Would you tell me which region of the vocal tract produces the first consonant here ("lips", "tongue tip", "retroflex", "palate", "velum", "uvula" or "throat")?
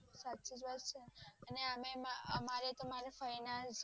tongue tip